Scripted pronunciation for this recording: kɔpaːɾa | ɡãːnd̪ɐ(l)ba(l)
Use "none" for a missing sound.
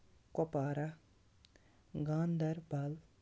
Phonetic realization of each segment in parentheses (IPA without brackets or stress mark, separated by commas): ɾ, l